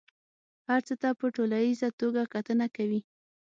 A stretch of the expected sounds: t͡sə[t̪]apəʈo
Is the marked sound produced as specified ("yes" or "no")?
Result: yes